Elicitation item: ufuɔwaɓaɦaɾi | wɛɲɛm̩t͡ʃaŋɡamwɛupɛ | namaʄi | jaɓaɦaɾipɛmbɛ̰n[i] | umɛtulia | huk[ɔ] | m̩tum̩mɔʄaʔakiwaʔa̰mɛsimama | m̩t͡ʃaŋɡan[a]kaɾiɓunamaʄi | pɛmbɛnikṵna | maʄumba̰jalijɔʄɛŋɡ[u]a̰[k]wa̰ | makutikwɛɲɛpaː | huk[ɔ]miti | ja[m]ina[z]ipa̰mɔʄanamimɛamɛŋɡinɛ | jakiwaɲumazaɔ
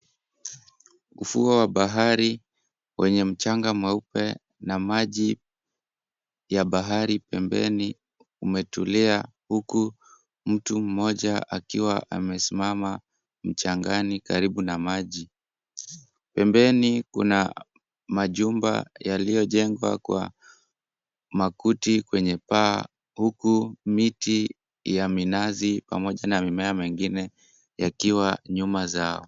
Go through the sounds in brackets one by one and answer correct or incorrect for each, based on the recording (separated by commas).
correct, incorrect, incorrect, incorrect, correct, incorrect, correct, correct